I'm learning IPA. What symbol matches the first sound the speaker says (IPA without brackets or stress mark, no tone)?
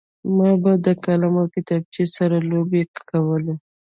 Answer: m